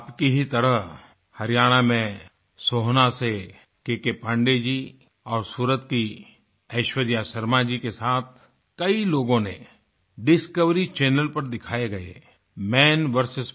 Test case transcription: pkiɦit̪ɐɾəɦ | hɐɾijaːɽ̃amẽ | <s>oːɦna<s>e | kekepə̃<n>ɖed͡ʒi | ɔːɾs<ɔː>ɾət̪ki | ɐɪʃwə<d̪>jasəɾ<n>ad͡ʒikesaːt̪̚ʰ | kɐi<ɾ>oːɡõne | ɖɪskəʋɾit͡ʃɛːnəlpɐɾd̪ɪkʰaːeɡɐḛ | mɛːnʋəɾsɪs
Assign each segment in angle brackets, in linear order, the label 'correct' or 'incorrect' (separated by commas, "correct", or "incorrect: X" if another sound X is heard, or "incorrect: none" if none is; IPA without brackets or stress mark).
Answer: correct, correct, incorrect: ɳ, incorrect: uː, correct, incorrect: m, incorrect: l